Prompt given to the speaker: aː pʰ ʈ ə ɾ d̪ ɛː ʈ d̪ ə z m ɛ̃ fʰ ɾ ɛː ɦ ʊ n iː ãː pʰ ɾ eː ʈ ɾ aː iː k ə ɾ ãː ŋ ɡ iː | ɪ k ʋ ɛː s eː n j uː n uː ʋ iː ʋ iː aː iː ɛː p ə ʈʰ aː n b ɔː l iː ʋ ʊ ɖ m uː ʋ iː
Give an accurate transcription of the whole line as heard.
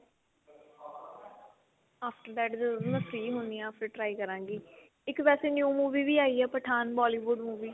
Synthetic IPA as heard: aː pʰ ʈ ə ɾ d̪ ɛː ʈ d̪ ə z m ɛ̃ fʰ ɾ iː ɦ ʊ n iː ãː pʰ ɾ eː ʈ ɾ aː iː k ə ɾ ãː ŋ ɡ iː | ɪ k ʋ ɛː s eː n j uː m uː ʋ iː ʋ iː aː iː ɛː p ə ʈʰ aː n b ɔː l iː ʋ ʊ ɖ m uː ʋ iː